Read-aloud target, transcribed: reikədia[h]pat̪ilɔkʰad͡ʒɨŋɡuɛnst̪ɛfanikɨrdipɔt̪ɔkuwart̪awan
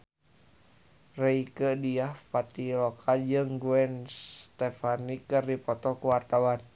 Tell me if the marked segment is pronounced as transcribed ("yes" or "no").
yes